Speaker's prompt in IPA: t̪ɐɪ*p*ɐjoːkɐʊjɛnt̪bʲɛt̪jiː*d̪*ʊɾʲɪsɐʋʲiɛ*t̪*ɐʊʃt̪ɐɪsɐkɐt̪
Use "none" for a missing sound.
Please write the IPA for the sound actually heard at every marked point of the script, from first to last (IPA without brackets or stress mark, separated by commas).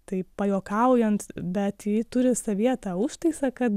p, t̪, t̪